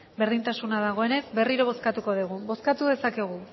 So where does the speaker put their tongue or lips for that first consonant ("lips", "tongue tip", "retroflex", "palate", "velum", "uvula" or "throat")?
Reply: lips